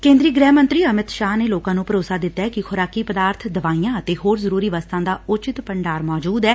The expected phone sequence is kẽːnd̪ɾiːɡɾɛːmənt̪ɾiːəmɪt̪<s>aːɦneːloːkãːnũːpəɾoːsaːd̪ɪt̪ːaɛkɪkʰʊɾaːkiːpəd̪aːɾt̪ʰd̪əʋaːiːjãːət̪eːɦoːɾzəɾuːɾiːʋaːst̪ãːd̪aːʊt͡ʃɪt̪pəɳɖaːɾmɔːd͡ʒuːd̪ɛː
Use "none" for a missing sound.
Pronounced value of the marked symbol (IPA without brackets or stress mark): ʃ